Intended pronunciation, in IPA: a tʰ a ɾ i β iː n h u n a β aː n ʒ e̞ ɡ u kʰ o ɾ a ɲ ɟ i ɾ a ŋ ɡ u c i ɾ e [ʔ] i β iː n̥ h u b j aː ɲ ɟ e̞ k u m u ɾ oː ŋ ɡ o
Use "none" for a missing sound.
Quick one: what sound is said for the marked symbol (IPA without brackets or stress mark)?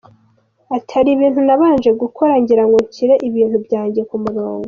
ʔ